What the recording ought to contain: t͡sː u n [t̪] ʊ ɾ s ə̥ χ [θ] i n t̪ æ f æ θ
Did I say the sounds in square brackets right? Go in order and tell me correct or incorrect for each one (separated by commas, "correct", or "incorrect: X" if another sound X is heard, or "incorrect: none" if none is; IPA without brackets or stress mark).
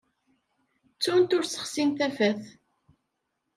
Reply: correct, incorrect: s